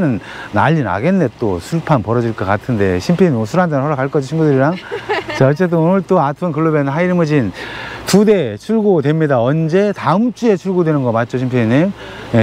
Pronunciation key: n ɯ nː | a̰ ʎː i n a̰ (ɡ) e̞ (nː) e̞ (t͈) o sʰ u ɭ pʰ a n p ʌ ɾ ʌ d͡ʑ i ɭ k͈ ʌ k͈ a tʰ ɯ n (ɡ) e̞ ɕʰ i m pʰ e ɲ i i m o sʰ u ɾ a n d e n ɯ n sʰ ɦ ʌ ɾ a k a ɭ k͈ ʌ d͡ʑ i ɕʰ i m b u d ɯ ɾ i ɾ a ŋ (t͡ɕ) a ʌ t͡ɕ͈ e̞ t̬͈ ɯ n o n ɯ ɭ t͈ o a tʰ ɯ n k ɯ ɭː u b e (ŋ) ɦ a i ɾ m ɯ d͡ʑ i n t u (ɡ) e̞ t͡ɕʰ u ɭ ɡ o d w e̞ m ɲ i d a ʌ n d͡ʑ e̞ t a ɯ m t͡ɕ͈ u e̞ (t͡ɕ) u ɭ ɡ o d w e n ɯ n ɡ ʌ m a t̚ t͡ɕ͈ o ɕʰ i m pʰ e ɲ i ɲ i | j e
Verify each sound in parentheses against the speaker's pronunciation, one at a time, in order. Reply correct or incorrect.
correct, correct, correct, incorrect, correct, incorrect, incorrect, incorrect

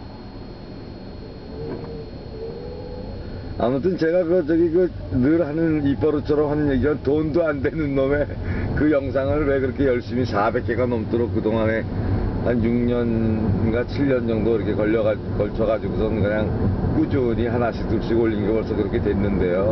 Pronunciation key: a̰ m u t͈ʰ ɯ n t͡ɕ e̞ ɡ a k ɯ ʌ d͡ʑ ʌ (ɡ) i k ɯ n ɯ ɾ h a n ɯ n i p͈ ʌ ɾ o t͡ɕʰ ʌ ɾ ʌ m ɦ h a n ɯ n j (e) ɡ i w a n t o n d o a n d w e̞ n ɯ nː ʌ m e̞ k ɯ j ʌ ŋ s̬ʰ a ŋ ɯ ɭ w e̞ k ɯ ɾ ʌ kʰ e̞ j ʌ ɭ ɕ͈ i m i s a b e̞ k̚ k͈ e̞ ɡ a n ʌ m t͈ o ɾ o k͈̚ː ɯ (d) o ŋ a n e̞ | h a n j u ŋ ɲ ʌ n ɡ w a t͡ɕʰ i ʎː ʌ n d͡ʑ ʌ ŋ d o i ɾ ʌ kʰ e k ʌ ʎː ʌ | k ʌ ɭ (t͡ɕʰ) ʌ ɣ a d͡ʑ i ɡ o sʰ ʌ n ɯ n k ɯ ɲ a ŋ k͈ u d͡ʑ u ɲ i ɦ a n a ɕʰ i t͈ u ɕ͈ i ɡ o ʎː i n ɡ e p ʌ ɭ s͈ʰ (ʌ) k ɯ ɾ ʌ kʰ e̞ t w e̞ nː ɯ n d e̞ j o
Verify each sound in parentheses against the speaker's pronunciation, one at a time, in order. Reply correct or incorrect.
correct, correct, correct, correct, correct

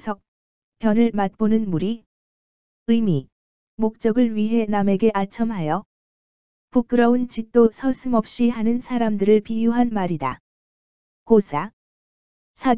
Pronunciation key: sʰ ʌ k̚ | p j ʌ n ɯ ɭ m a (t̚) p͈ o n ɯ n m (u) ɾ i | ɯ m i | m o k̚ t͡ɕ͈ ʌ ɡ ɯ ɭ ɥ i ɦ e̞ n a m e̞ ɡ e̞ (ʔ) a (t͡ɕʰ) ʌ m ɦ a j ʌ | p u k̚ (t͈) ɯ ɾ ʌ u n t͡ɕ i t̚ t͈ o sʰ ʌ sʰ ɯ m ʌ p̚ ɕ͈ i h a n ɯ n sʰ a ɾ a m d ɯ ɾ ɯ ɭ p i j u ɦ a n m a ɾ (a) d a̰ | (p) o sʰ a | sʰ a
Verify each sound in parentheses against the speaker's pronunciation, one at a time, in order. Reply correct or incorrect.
correct, correct, correct, correct, incorrect, incorrect, incorrect

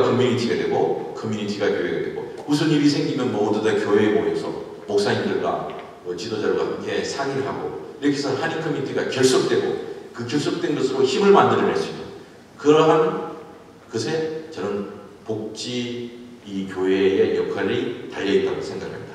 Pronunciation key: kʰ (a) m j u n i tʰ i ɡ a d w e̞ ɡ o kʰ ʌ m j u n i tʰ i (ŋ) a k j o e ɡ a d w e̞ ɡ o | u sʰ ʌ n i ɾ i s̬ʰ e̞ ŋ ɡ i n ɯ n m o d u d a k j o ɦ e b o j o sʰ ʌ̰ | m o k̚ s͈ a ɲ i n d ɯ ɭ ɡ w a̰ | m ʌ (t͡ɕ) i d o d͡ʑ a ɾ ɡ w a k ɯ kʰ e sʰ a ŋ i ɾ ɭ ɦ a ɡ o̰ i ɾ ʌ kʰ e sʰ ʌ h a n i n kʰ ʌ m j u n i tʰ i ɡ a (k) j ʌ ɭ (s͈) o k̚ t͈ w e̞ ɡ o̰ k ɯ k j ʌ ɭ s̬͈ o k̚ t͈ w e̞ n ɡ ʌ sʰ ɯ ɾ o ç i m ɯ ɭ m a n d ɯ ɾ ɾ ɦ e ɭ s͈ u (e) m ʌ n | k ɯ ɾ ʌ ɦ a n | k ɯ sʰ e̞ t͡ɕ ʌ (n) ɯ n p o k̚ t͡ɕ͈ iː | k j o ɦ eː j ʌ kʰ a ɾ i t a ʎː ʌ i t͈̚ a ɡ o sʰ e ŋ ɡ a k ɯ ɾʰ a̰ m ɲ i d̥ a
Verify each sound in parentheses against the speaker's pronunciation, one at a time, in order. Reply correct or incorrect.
incorrect, incorrect, correct, correct, correct, incorrect, correct

